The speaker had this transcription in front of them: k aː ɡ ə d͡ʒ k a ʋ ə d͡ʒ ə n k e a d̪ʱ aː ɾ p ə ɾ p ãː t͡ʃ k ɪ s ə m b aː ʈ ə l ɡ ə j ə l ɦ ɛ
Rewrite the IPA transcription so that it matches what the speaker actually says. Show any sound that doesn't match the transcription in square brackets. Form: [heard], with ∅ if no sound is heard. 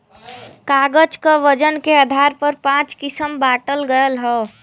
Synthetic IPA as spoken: k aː ɡ ə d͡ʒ k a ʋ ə d͡ʒ ə n k e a d̪ʱ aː ɾ p ə ɾ p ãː t͡ʃ k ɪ s ə m b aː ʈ ə l ɡ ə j ə l ɦ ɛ